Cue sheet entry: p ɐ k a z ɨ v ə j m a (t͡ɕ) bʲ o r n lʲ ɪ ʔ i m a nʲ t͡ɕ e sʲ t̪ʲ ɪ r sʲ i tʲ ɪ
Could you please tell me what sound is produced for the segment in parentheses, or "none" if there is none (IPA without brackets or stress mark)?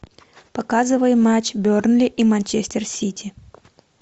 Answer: t͡ɕ